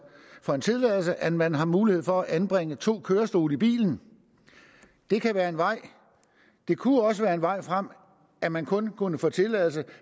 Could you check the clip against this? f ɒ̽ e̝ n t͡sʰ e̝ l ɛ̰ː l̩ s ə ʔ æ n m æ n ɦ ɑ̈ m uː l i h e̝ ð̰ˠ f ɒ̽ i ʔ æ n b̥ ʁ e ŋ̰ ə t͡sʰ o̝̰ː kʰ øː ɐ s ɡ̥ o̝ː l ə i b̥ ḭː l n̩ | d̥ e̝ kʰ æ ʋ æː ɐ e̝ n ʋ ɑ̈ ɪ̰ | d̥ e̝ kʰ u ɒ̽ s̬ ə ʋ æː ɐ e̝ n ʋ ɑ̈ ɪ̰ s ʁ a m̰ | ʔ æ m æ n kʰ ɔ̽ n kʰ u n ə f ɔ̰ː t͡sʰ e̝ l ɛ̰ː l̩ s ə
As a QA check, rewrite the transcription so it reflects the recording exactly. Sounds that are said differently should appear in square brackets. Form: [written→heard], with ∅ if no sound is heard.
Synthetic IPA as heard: f ɒ̽ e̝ n t͡sʰ e̝ l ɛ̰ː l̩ s ə ʔ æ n m æ n ɦ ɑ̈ m uː l i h e̝ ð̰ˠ f ɒ̽ [i→æ] ʔ æ n b̥ ʁ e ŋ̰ ə t͡sʰ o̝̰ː kʰ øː ɐ s [ɡ̥→d̥] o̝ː l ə i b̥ ḭː l n̩ | d̥ e̝ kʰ æ ʋ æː ɐ e̝ n ʋ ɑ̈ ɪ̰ | d̥ e̝ kʰ u ɒ̽ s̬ ə ʋ æː ɐ e̝ n ʋ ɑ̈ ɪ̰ [s→f] ʁ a m̰ | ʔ æ m æ n kʰ ɔ̽ n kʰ u n ə f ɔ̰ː t͡sʰ e̝ l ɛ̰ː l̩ s ə